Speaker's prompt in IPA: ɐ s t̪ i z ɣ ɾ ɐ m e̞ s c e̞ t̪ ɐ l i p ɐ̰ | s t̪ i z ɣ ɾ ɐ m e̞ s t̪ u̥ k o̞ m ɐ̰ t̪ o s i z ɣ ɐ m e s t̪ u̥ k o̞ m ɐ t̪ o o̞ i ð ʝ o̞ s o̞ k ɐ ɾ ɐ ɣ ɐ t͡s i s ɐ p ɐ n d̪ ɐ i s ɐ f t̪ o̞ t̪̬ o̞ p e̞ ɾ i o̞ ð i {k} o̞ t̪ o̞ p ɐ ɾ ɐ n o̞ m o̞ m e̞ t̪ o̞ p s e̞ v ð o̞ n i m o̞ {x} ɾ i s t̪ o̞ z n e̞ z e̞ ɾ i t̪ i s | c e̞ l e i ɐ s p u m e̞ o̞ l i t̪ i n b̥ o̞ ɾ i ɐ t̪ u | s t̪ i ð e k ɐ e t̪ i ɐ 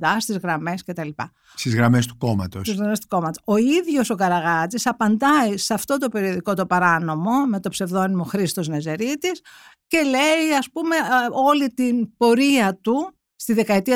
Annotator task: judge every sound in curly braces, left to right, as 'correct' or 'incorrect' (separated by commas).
correct, correct